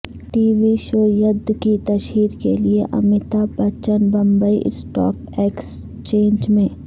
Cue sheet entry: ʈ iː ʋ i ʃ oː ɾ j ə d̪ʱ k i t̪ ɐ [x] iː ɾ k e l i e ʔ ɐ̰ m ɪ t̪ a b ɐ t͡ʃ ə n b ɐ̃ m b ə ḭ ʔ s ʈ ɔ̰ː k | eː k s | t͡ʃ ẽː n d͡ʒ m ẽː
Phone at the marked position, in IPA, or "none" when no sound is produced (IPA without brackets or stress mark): ʃ